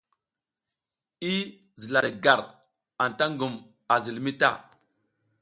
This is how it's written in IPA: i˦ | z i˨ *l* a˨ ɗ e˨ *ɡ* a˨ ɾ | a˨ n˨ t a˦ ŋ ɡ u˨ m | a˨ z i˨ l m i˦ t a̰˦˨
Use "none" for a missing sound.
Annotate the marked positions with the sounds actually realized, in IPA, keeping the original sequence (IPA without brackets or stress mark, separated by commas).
l, ɡ